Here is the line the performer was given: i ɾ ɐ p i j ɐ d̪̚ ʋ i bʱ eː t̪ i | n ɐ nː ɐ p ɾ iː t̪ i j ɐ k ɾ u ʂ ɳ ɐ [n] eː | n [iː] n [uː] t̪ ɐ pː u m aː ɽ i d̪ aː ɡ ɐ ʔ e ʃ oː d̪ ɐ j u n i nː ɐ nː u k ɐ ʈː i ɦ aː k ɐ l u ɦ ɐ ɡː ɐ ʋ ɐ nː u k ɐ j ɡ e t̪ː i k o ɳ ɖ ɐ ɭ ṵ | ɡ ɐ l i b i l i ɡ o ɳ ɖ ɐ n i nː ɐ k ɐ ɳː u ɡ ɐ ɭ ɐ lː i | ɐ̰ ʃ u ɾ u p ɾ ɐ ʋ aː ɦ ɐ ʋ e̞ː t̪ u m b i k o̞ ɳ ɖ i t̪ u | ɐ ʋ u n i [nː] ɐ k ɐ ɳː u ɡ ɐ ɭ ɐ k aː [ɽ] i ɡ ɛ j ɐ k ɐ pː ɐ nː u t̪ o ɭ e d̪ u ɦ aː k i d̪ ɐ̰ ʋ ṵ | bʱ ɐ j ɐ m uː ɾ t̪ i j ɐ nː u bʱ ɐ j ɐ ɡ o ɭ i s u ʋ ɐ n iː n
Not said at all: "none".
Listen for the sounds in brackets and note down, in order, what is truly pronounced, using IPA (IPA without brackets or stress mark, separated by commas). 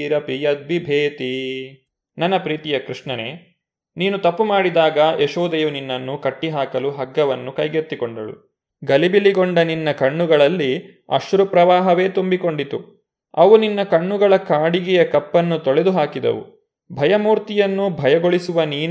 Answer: n, iː, u, nː, ɽ